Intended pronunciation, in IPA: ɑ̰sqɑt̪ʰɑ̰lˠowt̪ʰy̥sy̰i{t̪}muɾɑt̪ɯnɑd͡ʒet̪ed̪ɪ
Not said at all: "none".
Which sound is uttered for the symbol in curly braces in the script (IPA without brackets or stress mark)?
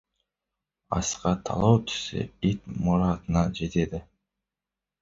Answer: t̪